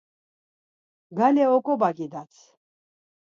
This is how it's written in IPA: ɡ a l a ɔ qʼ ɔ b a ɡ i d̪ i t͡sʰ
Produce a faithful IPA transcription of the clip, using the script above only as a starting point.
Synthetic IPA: ɡ a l ɛ ɔ kʼ ɔ b a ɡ i d̪ a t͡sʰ